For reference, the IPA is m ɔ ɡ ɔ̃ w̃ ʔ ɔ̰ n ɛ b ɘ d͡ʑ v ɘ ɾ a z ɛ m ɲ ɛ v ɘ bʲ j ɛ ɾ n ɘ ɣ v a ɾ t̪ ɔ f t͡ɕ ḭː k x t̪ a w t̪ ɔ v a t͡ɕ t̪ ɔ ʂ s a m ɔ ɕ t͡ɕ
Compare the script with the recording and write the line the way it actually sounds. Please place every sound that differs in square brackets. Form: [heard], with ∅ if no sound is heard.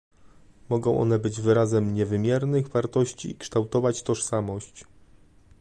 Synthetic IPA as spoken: m ɔ ɡ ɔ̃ w̃ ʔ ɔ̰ n ɛ b ɘ d͡ʑ v ɘ ɾ a z ɛ m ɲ ɛ v ɘ [mʲ] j ɛ ɾ n ɘ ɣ v a ɾ t̪ ɔ [ɕ] t͡ɕ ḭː k [ʂ] t̪ a w t̪ ɔ v a t͡ɕ t̪ ɔ ʂ s a m ɔ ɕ t͡ɕ

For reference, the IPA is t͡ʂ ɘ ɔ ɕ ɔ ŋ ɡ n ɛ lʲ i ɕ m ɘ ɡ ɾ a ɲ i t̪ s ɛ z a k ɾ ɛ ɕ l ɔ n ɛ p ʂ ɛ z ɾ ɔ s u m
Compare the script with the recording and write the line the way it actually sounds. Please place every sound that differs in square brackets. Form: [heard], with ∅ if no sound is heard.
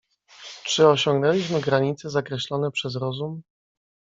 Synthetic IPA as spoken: t͡ʂ ɘ ɔ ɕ ɔ ŋ ɡ n ɛ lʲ i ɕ m ɘ ɡ ɾ a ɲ i t̪ s ɛ z a k ɾ ɛ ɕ l ɔ n ɛ p ʂ ɛ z ɾ ɔ [z] u m

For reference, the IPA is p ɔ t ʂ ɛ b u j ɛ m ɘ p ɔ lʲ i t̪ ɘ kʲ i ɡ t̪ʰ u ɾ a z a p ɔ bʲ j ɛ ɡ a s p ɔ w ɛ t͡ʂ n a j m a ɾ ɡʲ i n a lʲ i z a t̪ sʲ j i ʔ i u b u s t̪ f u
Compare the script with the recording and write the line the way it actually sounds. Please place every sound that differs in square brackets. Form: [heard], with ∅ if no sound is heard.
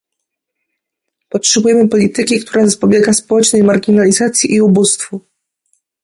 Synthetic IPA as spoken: p ɔ t ʂ ɛ b u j ɛ m ɘ p ɔ lʲ i t̪ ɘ kʲ i [k] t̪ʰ u ɾ a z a p ɔ bʲ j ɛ ɡ a s p ɔ w ɛ t͡ʂ n [ɛ] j m a ɾ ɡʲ i n a lʲ i z a t̪ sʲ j i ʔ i u b u s t̪ f u

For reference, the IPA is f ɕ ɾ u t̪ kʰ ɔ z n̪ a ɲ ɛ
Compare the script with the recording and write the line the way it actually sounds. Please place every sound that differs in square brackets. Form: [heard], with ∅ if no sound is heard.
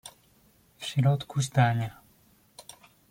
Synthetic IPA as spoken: f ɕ ɾ [ɔ] t̪ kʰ [u] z [d̪] a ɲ [a]

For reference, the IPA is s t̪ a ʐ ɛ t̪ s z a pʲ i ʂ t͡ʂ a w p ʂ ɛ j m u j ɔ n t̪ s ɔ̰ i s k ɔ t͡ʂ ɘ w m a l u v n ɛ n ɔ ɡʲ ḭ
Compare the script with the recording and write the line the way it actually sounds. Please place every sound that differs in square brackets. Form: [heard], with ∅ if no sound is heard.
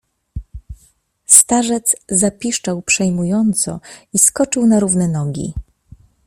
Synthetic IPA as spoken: s t̪ a ʐ ɛ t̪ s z a pʲ i ʂ t͡ʂ a w p ʂ ɛ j m u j ɔ n t̪ s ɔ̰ i s k ɔ t͡ʂ ɘ w [n] a [ɾ] u v n ɛ n ɔ ɡʲ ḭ

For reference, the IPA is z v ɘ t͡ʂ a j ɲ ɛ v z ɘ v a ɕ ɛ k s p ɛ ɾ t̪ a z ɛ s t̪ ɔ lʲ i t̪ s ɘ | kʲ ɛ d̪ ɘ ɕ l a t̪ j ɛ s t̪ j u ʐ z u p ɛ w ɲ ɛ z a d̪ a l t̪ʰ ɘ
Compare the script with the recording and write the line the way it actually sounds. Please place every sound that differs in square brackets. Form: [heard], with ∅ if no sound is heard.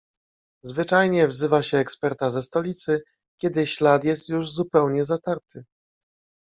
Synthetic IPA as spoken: z v ɘ t͡ʂ a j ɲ ɛ v z ɘ v a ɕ [ɛː] k s p ɛ ɾ t̪ a z ɛ s t̪ ɔ lʲ i t̪ s ɘ | kʲ ɛ d̪ ɘ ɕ l a t̪ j ɛ s t̪ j u ʐ z u p ɛ w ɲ ɛ z a [t̪] a [ɾ] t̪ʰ ɘ

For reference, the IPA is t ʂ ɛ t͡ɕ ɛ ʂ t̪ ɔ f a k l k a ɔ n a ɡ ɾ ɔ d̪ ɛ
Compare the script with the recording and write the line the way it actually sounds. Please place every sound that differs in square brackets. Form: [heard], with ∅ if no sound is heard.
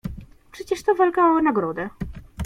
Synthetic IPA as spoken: [p] ʂ ɛ t͡ɕ ɛ ʂ t̪ ɔ [v] a [∅] l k a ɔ n a ɡ ɾ ɔ d̪ ɛ

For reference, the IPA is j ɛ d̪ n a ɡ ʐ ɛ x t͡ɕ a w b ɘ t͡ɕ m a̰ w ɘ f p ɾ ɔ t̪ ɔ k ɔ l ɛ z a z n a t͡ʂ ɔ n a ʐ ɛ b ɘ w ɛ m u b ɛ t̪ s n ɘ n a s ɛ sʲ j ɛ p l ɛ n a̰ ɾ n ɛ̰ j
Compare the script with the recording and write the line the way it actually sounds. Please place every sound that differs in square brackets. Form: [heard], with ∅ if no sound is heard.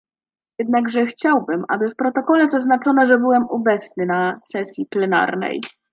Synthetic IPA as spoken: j ɛ d̪ n a ɡ ʐ ɛ x t͡ɕ a w b ɘ [∅] m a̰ [b] ɘ f p ɾ ɔ t̪ ɔ k ɔ l ɛ z a z n a t͡ʂ ɔ n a ʐ ɛ b ɘ w ɛ m u b ɛ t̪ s n ɘ n a s ɛ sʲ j [i] p l ɛ n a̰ ɾ n ɛ̰ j

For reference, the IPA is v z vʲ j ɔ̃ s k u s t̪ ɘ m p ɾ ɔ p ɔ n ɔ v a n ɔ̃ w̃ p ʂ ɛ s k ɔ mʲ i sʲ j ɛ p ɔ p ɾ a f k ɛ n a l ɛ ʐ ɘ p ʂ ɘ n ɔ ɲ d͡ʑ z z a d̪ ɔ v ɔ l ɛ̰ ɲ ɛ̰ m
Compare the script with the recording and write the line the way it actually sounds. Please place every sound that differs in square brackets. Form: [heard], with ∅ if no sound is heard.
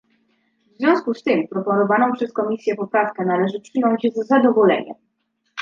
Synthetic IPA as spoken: v z vʲ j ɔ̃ s k u s t̪ ɘ m p ɾ ɔ p ɔ n ɔ v a n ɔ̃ w̃ p ʂ ɛ s k ɔ mʲ i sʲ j ɛ p ɔ p ɾ a f k ɛ n a l ɛ ʐ ɘ p ʂ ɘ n ɔ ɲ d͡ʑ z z a d̪ ɔ v ɔ l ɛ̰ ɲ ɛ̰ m

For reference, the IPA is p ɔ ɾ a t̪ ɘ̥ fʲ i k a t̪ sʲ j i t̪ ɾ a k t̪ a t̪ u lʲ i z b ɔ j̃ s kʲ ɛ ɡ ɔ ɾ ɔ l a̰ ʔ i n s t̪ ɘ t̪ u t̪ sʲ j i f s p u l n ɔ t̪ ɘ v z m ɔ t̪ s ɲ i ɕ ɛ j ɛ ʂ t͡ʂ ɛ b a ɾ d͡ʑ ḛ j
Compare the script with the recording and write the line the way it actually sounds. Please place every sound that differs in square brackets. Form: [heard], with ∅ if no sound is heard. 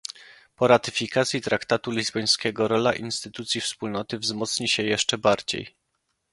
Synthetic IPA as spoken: p ɔ ɾ a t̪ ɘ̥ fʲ i k a t̪ sʲ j i t̪ ɾ a k t̪ a t̪ u lʲ i z b ɔ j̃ s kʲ ɛ ɡ ɔ ɾ ɔ l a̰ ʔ i n s t̪ ɘ t̪ u t̪ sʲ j i f s p u l n ɔ t̪ ɘ v z m ɔ t̪ s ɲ i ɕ ɛ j ɛ ʂ t͡ʂ ɛ b a ɾ d͡ʑ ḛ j

